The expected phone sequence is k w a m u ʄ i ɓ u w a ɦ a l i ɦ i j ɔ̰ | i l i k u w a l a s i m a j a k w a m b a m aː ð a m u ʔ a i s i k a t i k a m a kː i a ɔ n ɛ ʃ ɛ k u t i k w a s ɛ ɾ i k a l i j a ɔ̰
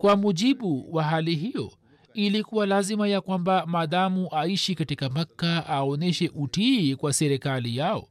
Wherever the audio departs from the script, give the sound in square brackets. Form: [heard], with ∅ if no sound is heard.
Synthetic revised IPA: k w a m u ʄ i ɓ u w a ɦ a l i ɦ i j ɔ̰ | i l i k u w a l a [z] i m a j a k w a m b a m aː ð a m u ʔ a i [ʃ] i k a t i k a m a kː [a] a ɔ n ɛ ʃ ɛ [ʔ] u t i k w a s ɛ ɾ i k a l i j a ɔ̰